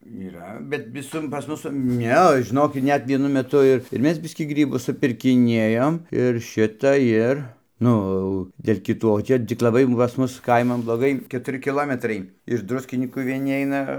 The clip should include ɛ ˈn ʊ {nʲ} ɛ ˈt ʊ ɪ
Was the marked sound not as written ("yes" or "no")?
yes